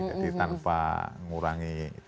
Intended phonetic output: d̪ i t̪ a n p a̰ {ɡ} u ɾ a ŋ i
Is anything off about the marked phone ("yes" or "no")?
yes